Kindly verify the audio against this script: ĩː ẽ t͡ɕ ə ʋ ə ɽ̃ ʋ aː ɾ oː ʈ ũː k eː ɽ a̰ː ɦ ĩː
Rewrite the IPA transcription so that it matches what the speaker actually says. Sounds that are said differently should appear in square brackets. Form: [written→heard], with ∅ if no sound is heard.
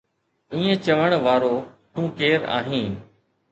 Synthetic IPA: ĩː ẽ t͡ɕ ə ʋ ə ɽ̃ ʋ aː ɾ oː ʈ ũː k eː [ɽ→ɾ] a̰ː ɦ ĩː